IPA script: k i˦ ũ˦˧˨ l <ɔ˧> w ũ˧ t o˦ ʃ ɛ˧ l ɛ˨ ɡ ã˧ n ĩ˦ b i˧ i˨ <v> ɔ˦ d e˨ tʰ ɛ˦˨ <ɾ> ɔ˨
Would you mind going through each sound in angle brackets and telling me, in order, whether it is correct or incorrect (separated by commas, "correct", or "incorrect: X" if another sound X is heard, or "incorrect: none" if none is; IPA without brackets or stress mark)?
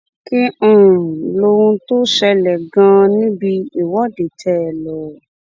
incorrect: o˧, incorrect: w, incorrect: l